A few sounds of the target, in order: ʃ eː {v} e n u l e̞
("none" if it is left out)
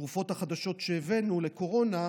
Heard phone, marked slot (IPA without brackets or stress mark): v